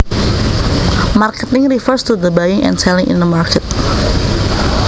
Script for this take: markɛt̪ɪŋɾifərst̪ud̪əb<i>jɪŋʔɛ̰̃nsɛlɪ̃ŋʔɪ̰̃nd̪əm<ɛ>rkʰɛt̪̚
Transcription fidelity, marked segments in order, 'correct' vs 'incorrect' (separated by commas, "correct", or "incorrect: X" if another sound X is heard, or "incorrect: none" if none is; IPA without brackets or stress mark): incorrect: a, incorrect: a